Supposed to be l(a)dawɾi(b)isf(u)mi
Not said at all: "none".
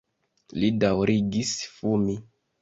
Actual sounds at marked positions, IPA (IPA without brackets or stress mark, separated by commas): i, ɡ, u